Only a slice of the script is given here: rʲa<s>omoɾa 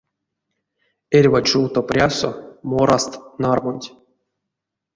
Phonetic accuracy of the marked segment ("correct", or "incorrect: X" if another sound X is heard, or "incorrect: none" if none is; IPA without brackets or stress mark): correct